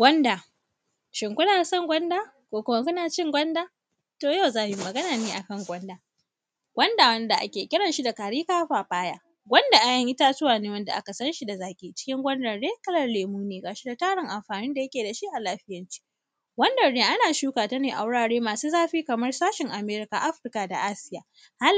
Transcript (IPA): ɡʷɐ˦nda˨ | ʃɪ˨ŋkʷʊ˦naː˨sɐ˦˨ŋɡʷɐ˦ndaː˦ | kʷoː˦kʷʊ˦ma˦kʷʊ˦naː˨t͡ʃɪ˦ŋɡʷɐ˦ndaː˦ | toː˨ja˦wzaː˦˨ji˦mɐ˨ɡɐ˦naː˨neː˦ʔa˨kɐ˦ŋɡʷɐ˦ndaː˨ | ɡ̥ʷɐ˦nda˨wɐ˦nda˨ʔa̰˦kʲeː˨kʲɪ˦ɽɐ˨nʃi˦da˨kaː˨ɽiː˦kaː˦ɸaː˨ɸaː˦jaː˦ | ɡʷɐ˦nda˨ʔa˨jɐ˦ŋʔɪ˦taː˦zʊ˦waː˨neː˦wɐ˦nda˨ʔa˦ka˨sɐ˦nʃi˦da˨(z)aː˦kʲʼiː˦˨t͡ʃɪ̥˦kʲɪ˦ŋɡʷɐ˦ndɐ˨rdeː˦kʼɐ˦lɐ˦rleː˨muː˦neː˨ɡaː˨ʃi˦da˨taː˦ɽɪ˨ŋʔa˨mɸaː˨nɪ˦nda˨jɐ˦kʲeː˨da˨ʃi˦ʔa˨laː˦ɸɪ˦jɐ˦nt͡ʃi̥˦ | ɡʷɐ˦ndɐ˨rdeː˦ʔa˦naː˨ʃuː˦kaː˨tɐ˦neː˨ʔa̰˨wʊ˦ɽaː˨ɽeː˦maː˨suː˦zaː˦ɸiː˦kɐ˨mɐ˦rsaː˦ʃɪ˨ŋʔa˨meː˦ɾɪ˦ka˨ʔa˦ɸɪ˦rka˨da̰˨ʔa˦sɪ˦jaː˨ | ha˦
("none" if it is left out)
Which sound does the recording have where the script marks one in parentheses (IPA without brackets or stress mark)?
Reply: z